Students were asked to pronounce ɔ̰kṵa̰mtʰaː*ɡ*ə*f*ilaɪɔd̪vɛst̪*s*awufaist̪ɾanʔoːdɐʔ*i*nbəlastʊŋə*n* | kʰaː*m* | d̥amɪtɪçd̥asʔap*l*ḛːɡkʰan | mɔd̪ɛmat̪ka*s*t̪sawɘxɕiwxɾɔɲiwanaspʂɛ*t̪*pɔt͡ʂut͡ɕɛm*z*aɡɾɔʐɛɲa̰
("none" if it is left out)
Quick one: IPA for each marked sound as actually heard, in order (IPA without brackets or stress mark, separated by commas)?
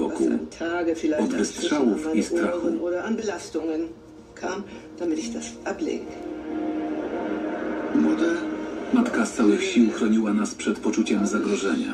ɡ, f, ʂ, a, n, m, l, s, t̪, z